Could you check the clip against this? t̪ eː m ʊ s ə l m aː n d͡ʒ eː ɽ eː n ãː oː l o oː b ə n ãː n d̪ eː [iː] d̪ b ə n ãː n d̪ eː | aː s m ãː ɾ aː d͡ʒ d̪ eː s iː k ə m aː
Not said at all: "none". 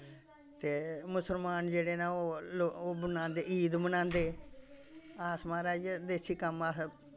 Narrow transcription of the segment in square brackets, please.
iː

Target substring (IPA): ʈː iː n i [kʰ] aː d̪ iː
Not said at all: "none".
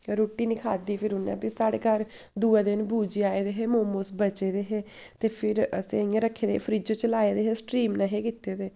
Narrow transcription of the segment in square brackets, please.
kʰ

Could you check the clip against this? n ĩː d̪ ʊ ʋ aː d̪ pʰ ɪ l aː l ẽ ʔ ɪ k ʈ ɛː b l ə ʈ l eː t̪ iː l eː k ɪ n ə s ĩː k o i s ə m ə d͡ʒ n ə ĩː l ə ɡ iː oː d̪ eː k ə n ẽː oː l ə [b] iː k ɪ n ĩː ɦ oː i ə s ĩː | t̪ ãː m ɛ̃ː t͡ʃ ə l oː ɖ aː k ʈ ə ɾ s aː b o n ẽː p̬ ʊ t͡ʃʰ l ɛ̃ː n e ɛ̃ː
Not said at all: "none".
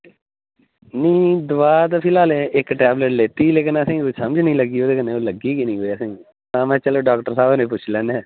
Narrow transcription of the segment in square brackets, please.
ɡ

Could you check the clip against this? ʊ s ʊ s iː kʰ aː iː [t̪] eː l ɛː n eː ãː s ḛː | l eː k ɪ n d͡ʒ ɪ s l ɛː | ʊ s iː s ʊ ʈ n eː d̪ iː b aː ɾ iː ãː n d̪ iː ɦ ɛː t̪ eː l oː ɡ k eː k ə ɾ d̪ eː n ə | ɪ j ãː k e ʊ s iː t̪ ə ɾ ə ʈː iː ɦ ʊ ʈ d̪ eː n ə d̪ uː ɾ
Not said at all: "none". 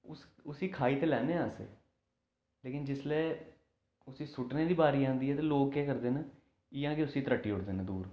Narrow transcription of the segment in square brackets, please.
t̪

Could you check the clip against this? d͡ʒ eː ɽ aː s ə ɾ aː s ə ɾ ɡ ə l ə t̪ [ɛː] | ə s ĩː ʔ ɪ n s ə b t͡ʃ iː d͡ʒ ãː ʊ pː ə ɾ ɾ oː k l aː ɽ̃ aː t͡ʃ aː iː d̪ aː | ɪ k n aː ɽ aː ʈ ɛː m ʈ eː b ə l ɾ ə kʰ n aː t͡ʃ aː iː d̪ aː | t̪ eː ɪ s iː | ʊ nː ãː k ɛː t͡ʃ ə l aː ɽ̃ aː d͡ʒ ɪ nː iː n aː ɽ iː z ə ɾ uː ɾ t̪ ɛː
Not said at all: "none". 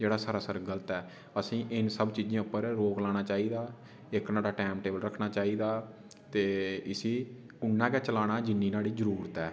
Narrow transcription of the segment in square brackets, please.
ɛː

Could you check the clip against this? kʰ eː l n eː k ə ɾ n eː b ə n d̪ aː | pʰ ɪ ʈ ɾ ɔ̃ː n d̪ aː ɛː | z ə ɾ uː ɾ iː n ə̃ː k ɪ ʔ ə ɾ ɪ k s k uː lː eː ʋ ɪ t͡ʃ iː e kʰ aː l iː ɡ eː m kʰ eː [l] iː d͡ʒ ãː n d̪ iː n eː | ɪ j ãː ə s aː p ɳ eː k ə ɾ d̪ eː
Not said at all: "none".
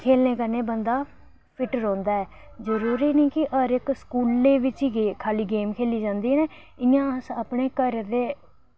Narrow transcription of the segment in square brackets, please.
l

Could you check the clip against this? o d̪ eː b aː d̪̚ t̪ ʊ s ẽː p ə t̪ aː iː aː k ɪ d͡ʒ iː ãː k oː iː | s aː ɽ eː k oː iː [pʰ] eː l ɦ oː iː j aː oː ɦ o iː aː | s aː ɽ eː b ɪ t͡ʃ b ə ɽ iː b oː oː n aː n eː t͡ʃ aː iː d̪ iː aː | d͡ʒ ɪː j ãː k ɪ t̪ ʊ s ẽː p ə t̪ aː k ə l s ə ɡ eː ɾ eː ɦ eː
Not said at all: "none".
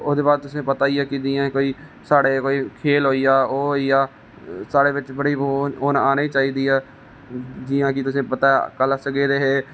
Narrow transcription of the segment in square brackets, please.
kʰ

